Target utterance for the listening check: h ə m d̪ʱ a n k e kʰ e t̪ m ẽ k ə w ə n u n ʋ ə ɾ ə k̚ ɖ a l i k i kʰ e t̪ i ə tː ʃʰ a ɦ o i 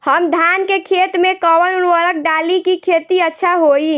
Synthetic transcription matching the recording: h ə m d̪ʱ a n k e kʰ e t̪ m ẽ k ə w ə n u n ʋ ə ɾ ə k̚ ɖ a l i k i kʰ e t̪ i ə tː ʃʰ a ɦ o i